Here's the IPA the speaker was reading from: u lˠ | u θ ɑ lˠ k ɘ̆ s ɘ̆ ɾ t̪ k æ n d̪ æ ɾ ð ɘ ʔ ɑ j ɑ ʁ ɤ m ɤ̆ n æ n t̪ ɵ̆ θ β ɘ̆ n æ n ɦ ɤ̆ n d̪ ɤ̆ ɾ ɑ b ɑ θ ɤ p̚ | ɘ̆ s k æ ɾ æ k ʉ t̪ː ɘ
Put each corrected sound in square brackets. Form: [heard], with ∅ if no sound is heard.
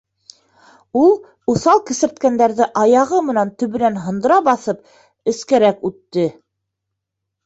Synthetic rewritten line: u lˠ | u θ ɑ lˠ k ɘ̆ s ɘ̆ ɾ t̪ k æ n d̪ æ ɾ ð ɘ ʔ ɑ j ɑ ʁ ɤ m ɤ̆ n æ n t̪ ɵ̆ [∅] β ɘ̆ n æ n ɦ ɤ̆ n d̪ ɤ̆ ɾ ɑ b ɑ θ ɤ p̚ | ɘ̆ s k æ ɾ æ k ʉ t̪ː ɘ